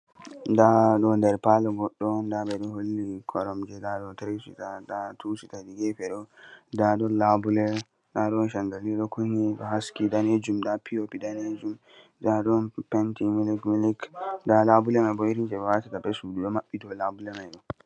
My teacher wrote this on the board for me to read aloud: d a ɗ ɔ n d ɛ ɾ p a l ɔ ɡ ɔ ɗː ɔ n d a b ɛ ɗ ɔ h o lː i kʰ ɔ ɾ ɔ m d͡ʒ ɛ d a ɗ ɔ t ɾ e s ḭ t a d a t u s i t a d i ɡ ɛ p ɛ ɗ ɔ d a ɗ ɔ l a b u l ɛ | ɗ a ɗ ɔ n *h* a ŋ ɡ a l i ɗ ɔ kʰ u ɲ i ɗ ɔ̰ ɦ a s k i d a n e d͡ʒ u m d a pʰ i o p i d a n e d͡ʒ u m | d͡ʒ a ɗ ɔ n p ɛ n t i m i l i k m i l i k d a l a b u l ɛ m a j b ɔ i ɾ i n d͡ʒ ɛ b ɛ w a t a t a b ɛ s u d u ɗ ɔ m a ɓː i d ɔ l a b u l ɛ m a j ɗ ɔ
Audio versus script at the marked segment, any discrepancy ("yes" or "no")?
yes